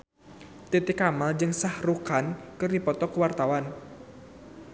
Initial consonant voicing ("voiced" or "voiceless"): voiceless